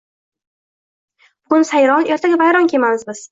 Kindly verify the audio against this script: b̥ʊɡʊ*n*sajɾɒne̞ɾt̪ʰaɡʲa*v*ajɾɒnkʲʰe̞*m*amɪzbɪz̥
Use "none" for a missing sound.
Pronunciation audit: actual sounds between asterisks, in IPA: n, v, m

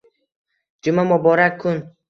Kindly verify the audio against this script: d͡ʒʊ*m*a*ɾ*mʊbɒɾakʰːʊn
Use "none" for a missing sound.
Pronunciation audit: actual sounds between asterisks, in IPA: m, none

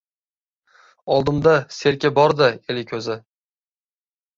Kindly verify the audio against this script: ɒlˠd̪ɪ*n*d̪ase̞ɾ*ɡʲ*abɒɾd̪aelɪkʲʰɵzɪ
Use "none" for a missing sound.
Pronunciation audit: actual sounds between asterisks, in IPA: m, kʲ

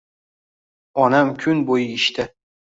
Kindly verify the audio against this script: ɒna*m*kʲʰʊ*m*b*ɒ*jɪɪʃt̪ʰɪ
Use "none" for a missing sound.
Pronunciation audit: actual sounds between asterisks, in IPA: m, n, o

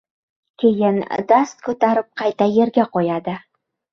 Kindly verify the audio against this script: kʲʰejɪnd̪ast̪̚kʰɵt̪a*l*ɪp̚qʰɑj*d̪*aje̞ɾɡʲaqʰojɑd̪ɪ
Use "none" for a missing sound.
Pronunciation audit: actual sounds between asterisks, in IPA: ɾ, t̪

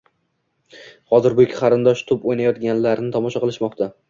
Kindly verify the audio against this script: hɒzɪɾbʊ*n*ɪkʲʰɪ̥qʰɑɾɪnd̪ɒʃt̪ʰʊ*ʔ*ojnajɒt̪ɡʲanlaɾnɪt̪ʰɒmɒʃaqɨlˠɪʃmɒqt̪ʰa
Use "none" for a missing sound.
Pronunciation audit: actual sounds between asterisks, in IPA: none, p

